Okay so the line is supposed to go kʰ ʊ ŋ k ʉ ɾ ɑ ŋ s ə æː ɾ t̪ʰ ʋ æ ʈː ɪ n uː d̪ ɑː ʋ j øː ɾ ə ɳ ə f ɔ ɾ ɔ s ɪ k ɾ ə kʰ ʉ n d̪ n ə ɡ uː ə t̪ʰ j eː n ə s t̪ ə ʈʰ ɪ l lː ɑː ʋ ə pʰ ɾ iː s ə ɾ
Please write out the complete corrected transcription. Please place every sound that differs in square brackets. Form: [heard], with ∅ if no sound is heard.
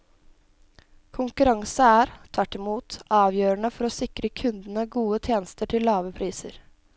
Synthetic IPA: kʰ ʊ ŋ k ʉ ɾ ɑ ŋ s ə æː ɾ t̪ʰ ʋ æ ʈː ɪ [m] uː [t̪] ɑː ʋ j øː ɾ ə ɳ ə f ɔ ɾ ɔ s ɪ k ɾ ə kʰ ʉ n d̪ n ə ɡ uː ə t̪ʰ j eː n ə s t̪ ə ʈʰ ɪ l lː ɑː ʋ ə pʰ ɾ iː s ə ɾ